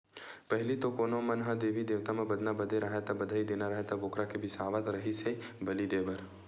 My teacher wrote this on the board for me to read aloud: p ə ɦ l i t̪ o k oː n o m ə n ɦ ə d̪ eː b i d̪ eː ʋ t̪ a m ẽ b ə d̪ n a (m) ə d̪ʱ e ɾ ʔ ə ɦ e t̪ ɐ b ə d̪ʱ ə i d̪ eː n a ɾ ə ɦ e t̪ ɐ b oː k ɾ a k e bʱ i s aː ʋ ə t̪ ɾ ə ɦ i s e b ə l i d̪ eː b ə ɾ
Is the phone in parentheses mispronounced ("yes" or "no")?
yes